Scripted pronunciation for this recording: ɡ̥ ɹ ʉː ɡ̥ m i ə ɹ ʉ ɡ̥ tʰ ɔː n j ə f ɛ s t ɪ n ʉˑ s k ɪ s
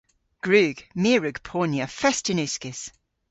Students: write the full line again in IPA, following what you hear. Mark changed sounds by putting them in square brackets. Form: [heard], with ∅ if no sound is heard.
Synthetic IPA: ɡ̥ ɹ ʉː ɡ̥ m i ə ɹ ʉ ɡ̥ [pʰ] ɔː n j ə f ɛ s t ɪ n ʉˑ s k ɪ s